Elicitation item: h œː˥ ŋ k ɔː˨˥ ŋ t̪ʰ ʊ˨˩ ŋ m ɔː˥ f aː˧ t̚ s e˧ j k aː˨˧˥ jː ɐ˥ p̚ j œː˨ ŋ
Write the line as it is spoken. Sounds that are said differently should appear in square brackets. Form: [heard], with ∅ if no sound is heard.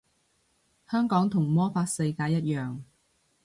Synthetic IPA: h œː˥ ŋ k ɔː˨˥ ŋ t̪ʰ ʊ˨˩ ŋ m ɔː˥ f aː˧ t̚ s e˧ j k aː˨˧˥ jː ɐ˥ [t̚] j œː˨ ŋ